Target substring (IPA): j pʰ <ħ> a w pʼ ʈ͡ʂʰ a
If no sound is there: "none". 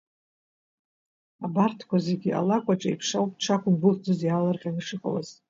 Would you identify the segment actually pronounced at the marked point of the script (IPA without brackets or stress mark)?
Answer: ʂ